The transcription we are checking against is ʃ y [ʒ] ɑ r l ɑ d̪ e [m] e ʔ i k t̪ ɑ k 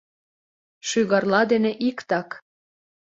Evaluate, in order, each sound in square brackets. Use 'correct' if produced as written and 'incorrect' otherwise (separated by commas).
incorrect, incorrect